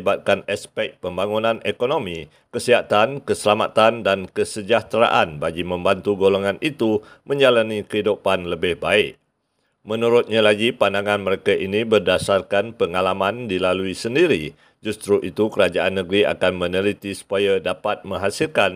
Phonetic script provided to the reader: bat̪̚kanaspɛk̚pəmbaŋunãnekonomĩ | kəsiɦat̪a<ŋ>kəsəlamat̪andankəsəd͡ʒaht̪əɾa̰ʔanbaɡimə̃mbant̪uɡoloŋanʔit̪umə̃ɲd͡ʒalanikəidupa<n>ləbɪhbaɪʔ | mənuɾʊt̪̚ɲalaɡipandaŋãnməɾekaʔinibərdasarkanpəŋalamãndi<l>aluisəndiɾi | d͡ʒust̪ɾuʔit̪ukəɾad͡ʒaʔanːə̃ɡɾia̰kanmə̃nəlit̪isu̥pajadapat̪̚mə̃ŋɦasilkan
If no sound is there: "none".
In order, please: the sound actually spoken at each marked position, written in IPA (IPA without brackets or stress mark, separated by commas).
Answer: n, n, l